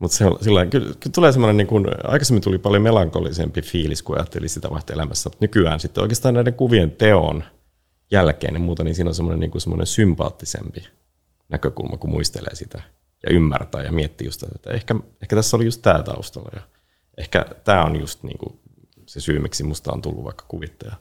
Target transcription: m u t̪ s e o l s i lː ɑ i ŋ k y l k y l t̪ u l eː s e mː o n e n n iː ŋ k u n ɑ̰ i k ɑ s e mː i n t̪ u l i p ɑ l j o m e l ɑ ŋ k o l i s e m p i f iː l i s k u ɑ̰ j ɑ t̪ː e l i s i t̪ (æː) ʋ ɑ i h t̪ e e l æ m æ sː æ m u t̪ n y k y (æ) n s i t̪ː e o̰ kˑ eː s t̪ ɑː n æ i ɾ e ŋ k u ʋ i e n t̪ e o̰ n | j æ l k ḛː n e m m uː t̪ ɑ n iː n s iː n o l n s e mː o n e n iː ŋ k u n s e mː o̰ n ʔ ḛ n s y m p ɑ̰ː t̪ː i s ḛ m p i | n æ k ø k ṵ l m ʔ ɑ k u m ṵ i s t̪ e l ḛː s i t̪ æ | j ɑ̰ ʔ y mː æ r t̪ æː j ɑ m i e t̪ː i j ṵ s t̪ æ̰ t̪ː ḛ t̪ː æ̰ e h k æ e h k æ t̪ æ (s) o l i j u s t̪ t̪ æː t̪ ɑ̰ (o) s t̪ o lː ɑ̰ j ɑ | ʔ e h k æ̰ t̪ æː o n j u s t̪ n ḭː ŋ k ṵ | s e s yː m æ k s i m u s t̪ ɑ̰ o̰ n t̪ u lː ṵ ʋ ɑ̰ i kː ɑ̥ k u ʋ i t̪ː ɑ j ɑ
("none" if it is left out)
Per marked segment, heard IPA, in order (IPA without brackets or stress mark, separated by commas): æ, æː, sː, u